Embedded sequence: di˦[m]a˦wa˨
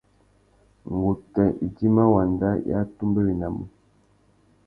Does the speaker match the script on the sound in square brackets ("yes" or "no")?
yes